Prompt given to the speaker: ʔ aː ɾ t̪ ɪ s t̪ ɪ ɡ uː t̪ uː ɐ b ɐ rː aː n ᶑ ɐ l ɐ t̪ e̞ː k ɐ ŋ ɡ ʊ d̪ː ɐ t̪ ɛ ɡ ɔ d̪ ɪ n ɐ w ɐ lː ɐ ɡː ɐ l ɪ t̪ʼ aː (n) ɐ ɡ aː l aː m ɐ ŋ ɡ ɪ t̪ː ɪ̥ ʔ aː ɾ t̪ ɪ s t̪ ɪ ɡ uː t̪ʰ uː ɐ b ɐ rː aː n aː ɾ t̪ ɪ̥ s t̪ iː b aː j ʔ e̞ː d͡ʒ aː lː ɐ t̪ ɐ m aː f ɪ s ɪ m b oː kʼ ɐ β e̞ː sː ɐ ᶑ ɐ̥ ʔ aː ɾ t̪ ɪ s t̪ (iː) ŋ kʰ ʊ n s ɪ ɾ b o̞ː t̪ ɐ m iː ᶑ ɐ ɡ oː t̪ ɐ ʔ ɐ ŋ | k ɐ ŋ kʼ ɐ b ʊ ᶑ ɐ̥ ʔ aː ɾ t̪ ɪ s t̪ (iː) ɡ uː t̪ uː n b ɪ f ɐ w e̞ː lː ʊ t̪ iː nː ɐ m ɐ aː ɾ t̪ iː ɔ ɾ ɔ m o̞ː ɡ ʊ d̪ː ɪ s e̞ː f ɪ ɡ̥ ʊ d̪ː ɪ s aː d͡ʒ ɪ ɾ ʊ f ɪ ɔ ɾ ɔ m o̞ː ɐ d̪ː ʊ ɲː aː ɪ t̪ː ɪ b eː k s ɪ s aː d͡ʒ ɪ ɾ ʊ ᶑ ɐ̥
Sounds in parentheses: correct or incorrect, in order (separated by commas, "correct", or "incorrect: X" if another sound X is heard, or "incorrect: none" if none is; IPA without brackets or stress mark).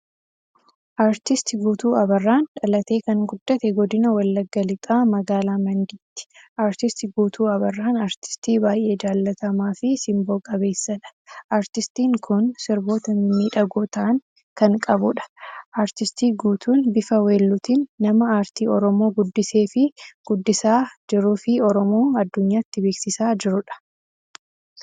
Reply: incorrect: m, correct, correct